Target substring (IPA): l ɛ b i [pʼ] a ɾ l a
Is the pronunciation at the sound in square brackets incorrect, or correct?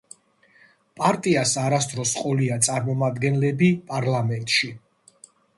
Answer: correct